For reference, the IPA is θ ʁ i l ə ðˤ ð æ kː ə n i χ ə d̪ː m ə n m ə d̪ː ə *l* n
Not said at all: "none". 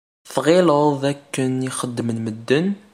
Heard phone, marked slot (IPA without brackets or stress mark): none